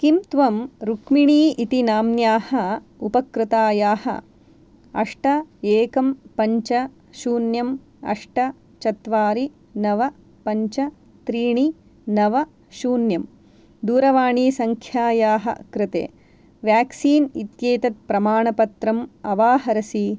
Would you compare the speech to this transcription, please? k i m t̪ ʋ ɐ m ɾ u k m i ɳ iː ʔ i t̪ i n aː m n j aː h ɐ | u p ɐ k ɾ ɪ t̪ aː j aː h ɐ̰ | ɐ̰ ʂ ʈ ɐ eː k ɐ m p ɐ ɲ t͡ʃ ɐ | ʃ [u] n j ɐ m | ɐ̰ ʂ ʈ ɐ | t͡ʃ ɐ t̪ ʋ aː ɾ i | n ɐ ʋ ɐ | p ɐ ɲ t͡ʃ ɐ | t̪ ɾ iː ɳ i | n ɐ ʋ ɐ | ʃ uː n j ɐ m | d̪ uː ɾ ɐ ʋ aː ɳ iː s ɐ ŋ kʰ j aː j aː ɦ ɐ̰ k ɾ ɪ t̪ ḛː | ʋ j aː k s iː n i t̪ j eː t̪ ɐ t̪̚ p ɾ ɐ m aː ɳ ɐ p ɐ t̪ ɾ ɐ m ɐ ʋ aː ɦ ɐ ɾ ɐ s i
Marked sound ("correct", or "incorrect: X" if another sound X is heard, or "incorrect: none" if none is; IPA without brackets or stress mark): incorrect: uː